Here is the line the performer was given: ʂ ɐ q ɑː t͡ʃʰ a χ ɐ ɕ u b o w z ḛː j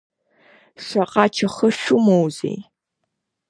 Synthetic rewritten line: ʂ ɐ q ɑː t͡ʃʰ ɐ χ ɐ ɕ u m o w z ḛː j